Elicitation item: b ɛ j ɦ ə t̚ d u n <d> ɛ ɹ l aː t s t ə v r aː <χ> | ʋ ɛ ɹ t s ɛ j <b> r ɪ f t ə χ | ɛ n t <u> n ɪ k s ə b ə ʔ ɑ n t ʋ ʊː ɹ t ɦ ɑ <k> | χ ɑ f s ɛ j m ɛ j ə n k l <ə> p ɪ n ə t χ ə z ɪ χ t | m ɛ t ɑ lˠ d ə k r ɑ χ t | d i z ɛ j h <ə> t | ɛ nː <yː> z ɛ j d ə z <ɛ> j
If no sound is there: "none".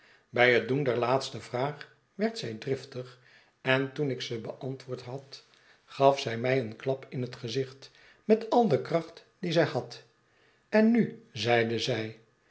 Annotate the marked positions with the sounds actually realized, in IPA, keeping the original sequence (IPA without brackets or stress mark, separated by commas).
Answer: d, χ, d, u, t, ɑ, ɑ, y, ɛ